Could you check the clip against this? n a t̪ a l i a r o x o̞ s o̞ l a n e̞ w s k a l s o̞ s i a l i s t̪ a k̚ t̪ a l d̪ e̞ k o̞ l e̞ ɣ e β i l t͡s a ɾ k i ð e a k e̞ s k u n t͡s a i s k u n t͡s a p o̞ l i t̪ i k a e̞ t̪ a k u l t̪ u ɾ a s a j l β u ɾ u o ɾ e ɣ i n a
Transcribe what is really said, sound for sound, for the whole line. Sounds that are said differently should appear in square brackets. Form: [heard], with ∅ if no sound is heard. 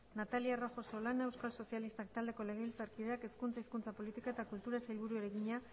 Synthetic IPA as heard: n a t̪ a l i a r o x o̞ s o̞ l a n e̞ w s k a l s o̞ s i a l i s t̪ a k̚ t̪ a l d̪ e̞ k o̞ l e̞ ɣ e β i l t͡s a ɾ k i ð e a k e̞ s k u n t͡s a i s k u n t͡s a p o̞ l i t̪ i k a e̞ t̪ a k u l t̪ u ɾ a s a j l β u ɾ u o ɾ e ɣ i [ɲ] a